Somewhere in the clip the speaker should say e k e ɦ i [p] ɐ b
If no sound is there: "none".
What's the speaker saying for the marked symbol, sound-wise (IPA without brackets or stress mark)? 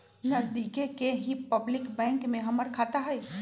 p